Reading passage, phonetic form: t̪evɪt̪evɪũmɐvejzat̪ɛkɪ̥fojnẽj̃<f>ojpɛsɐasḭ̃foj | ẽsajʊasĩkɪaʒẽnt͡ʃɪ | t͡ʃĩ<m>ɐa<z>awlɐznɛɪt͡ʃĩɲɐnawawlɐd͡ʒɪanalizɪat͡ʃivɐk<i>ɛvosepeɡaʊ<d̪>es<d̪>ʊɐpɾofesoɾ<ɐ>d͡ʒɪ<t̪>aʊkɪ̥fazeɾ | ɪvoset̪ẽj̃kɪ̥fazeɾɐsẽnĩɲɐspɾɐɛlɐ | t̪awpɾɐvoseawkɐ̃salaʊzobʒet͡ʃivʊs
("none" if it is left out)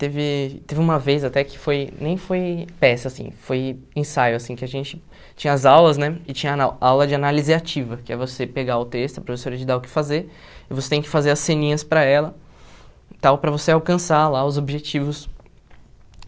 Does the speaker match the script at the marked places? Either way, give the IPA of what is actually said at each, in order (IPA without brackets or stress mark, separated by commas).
f, ɲ, z, ɪ, t̪, t̪, ɐ, d̪